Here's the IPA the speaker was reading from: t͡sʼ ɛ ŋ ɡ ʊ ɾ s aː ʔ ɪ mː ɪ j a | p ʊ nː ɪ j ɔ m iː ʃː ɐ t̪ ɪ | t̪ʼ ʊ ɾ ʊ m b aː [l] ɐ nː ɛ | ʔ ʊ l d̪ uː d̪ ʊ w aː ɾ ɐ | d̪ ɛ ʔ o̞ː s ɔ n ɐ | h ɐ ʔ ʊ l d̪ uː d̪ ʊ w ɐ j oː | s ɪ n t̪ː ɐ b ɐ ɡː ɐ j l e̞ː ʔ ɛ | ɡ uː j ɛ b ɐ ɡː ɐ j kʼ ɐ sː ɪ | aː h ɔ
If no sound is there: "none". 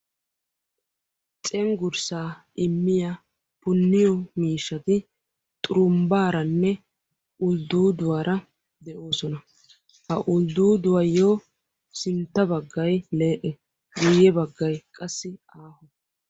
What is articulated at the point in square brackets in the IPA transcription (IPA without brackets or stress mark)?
ɾ